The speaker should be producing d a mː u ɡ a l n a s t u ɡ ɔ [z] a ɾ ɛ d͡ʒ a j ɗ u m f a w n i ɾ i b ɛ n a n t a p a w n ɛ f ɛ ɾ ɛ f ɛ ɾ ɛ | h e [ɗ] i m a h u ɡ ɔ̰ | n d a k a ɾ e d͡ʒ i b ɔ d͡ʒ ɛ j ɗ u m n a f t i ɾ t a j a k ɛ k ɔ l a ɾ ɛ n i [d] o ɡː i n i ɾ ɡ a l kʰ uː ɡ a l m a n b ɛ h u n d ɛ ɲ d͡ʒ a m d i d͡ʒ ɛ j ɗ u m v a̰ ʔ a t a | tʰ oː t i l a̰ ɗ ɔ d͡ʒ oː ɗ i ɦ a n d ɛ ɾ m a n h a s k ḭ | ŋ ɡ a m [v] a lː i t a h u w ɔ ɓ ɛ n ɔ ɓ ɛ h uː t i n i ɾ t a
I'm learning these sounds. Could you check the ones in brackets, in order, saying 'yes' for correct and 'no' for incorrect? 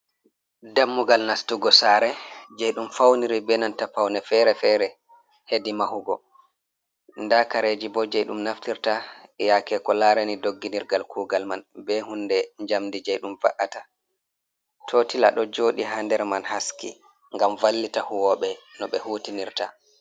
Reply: no, no, yes, yes

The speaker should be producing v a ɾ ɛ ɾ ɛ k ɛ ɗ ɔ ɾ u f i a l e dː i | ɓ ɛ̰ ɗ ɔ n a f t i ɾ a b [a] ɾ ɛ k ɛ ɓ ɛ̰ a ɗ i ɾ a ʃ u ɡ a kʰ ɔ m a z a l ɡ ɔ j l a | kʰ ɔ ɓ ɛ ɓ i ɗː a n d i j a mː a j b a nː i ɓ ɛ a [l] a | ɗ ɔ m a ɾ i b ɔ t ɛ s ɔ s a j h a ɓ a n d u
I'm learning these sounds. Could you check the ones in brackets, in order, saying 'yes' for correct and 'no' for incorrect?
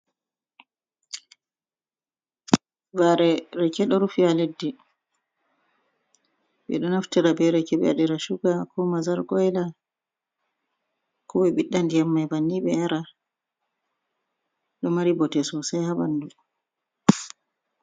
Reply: no, no

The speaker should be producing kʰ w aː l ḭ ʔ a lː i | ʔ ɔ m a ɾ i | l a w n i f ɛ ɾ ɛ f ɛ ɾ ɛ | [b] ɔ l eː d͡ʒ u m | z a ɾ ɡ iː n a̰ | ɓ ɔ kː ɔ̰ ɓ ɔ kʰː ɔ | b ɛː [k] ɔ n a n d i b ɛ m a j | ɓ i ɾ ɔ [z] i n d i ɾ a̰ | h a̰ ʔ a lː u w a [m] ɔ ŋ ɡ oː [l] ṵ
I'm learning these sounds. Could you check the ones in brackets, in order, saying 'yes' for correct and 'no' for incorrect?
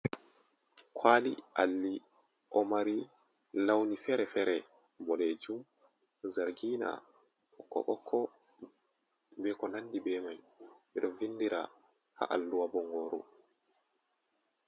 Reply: yes, yes, no, no, no

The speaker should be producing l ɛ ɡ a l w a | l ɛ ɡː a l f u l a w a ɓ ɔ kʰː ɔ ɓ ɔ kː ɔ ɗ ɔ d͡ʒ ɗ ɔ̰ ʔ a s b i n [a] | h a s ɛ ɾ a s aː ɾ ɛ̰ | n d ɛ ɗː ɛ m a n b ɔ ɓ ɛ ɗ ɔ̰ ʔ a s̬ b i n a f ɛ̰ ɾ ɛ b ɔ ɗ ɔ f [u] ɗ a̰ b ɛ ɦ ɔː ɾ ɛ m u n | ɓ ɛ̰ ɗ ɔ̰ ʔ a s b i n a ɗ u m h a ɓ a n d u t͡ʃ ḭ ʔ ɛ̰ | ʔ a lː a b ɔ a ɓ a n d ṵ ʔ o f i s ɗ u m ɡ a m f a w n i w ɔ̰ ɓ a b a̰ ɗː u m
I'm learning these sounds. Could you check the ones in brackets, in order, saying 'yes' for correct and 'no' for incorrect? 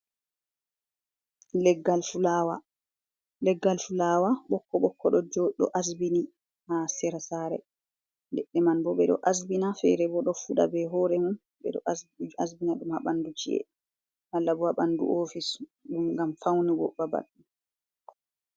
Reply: no, yes

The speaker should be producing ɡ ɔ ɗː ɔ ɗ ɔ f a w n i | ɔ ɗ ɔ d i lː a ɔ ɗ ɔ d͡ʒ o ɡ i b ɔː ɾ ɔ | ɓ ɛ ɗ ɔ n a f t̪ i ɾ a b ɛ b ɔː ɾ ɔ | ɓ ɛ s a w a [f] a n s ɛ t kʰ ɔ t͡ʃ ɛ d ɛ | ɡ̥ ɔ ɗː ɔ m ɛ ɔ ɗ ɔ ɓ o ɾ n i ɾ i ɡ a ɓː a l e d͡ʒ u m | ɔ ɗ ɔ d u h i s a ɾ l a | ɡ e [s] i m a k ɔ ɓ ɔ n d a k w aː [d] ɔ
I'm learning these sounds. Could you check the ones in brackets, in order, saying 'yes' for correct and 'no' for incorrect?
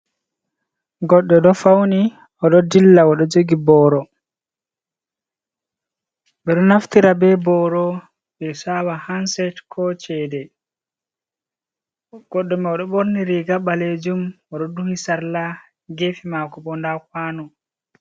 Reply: no, no, no

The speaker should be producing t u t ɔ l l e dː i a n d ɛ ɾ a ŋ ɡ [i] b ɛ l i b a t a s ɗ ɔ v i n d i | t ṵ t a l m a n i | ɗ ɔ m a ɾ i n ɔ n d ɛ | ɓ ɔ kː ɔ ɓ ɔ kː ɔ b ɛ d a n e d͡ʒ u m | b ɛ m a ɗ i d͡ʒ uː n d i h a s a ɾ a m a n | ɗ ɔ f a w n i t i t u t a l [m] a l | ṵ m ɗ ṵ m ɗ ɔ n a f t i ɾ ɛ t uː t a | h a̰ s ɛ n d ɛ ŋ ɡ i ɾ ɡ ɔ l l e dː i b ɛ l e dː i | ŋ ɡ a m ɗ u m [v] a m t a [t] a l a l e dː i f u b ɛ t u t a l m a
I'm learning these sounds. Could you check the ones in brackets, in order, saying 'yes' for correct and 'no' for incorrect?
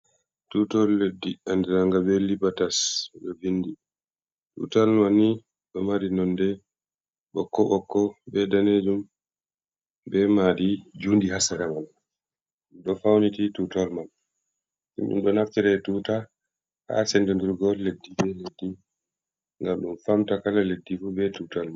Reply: no, yes, no, no

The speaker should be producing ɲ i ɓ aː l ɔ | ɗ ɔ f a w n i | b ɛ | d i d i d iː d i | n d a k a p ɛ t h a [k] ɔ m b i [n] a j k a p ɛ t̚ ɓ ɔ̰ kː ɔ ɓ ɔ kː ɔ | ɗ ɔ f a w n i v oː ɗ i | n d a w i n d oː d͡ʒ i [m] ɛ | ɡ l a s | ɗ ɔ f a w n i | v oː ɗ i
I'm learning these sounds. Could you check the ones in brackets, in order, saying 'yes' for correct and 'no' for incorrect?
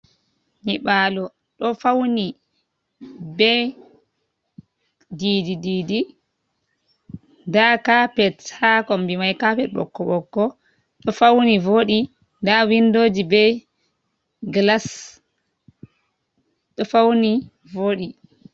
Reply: yes, no, no

